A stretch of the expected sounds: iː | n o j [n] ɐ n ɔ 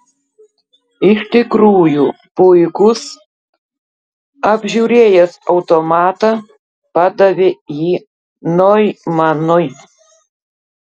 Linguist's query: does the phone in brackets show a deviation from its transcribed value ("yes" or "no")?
yes